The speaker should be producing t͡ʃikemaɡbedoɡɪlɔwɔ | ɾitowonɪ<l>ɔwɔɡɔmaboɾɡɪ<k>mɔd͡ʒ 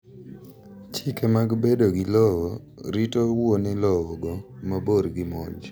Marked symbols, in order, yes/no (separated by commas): yes, no